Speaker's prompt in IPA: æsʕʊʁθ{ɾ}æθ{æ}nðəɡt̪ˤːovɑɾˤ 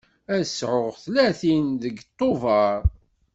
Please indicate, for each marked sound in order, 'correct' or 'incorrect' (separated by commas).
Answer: incorrect, incorrect